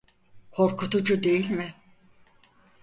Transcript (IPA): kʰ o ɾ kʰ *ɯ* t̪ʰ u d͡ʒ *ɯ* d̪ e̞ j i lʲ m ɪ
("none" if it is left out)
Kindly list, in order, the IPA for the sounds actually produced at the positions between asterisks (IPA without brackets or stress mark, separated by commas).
u, u